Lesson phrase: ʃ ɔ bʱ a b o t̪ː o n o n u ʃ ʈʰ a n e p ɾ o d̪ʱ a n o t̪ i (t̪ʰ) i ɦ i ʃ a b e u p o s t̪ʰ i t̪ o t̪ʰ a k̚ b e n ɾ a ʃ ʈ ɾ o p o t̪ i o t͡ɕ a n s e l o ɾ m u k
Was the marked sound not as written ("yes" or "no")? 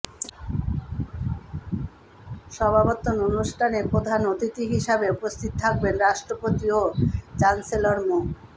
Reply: yes